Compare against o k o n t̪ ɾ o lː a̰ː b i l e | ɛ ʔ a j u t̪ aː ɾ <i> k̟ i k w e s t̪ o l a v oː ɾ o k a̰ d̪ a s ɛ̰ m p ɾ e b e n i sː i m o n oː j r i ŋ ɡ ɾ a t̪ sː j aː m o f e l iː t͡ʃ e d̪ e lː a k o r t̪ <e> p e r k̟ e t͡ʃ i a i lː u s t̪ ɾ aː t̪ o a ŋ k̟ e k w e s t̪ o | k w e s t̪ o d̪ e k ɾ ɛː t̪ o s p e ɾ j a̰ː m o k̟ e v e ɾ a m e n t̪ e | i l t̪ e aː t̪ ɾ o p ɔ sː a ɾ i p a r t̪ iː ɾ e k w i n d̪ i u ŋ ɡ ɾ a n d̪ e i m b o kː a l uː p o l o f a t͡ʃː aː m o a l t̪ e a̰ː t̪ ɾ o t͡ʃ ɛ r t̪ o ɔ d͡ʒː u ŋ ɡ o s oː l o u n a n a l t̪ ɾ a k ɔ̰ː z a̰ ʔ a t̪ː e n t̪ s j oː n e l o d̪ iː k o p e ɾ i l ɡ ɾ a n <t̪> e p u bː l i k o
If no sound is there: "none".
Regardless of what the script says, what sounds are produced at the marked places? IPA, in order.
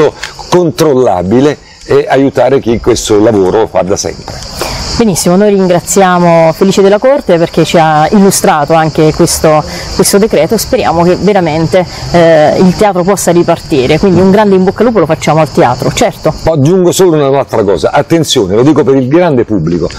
e, e, d̪

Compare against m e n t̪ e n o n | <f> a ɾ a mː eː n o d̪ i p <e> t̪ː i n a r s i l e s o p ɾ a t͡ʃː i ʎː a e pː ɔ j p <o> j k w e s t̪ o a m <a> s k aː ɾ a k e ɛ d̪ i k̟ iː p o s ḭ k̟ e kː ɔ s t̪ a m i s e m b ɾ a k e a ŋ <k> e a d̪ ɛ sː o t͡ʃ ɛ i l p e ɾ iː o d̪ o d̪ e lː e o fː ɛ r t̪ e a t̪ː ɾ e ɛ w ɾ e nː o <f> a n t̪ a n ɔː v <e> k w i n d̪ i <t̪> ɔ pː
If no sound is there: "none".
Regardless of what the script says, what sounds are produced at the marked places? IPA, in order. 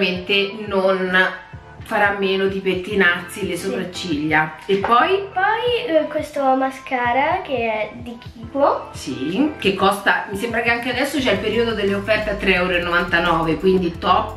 f, e, ɔ, a, k, v, e, t̪

